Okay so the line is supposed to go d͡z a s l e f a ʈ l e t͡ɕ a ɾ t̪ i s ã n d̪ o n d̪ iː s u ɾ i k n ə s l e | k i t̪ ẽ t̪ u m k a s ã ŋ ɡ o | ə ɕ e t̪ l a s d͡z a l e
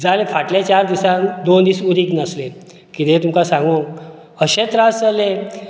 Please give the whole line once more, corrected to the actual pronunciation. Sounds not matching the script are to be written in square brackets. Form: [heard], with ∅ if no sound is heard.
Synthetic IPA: d͡z a [∅] l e f a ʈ l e t͡ɕ a ɾ [d̪] i s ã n d̪ o n d̪ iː s u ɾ i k n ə s l e | k i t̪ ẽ t̪ u m k a s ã ŋ ɡ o | ə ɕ e t̪ [ɾ] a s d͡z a l e

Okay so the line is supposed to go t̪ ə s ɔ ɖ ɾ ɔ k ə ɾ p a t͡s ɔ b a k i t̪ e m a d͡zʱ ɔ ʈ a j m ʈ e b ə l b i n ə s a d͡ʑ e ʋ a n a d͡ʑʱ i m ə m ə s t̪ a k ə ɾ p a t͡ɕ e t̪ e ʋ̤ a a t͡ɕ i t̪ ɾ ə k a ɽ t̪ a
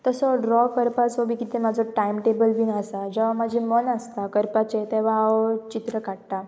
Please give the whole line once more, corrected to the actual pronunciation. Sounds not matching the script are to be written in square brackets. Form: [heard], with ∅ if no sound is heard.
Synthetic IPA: t̪ ə s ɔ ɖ ɾ ɔ k ə ɾ p a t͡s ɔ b [i] k i t̪ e m a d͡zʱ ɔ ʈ a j m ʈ e b ə l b i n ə s a d͡ʑ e ʋ a [m] a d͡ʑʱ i m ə [n] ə s t̪ a k ə ɾ p a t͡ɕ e t̪ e ʋ̤ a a t͡ɕ i t̪ ɾ ə k a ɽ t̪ a

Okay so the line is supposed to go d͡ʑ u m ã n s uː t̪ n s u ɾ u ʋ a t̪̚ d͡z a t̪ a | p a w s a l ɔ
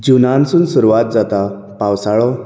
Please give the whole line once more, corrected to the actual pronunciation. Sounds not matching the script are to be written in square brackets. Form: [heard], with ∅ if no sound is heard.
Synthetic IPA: d͡ʑ u [n] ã n s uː [∅] n s u ɾ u ʋ a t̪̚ d͡z a t̪ a | p a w s a [ɭ] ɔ

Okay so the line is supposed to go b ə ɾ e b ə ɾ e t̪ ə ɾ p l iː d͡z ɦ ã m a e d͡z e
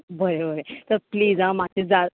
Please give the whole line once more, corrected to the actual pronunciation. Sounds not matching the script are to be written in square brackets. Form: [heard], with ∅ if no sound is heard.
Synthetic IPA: b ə ɾ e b ə ɾ e t̪ ə ɾ p l iː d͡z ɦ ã m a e d͡z [a]

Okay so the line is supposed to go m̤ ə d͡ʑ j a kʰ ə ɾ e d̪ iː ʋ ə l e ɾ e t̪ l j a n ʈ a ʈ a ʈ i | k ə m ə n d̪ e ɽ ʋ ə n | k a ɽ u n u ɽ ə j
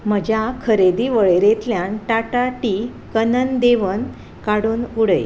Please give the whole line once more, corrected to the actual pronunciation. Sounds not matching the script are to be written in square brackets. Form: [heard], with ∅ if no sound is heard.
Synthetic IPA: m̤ ə d͡ʑ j a kʰ ə ɾ e d̪ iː ʋ ə [ɭ] e ɾ e t̪ l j a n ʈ a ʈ a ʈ i | k ə [n] ə n d̪ e [∅] ʋ ə n | k a ɽ [uː] n u ɽ ə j

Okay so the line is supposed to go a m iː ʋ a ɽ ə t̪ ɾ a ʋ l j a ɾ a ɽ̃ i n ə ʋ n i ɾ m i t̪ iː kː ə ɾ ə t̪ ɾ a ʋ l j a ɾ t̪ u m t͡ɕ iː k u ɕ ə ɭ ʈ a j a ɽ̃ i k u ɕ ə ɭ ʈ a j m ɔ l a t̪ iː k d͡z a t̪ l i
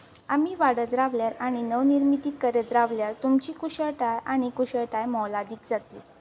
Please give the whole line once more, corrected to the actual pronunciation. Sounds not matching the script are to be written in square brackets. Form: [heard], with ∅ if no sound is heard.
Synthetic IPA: a m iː ʋ a ɽ ə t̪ ɾ a ʋ l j a ɾ a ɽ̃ i n ə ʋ n i ɾ m i t̪ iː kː ə ɾ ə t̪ ɾ a ʋ l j a ɾ t̪ u m t͡ɕ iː k u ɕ ə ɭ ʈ a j a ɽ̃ i k u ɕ ə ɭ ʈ a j m ɔ l a [d̪] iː k d͡z a t̪ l i

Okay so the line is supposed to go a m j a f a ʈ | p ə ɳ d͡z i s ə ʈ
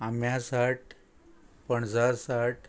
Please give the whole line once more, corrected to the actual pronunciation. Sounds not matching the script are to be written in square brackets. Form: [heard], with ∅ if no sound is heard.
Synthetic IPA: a m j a [s] a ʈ | p ə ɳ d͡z [a] s [a] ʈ

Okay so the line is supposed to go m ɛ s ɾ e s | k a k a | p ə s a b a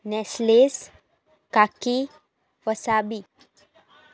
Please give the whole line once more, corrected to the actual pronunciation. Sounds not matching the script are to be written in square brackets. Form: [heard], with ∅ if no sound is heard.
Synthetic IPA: [n] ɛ s [l] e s | k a k [i] | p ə s a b [i]

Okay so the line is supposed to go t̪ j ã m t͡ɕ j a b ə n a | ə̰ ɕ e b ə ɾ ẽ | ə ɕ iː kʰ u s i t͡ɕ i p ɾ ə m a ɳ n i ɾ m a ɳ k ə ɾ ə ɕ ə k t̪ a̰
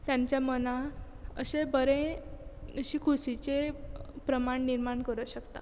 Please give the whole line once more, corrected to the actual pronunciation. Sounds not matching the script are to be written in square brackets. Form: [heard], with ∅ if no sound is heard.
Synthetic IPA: t̪ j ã [ɲ] t͡ɕ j a [m] ə n a | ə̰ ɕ e b ə ɾ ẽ | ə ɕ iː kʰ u s i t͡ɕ [e] p ɾ ə m a ɳ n i ɾ m a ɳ k ə ɾ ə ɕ ə k t̪ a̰

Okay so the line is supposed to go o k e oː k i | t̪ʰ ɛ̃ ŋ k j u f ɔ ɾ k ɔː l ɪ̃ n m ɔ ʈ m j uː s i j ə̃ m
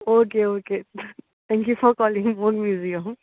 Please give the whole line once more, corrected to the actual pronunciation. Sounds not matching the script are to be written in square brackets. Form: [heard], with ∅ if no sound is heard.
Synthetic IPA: o k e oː k [e] | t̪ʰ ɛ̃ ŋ k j u f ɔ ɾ k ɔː l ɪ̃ [ŋ] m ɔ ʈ m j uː [z] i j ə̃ m

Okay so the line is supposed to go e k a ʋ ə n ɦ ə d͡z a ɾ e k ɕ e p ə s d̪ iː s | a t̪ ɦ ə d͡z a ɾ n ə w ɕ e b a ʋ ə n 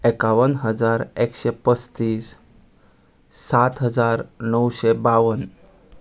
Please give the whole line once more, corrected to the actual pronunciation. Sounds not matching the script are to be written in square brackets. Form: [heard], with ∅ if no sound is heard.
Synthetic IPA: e k a ʋ ə n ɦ ə d͡z a ɾ e k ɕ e p ə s [t̪] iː s | a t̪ ɦ ə d͡z a ɾ n ə w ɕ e b a ʋ ə n

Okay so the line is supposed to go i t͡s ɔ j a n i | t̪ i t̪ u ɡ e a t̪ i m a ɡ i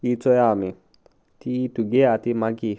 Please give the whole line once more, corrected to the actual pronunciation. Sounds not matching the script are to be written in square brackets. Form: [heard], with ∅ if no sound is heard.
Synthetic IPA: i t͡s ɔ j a [m] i | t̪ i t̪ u ɡ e a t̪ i m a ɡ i

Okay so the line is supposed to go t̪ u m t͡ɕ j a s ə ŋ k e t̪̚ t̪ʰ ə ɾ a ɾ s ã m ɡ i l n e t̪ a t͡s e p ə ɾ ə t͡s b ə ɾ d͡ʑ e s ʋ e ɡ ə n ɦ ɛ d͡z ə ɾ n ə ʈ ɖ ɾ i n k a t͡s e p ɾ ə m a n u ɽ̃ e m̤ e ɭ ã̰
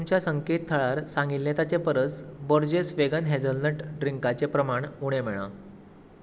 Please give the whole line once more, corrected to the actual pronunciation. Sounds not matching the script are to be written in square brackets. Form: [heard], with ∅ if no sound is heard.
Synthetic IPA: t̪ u m t͡ɕ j a s ə ŋ k e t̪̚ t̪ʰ ə [ɭ] a ɾ s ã [ŋ] ɡ i l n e t̪ a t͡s e p ə ɾ ə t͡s b ə ɾ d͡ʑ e s ʋ e ɡ ə n ɦ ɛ d͡z ə [l] n ə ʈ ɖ ɾ i [ŋ] k a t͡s e p ɾ ə m a [ɳ] u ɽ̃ e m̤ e ɭ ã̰

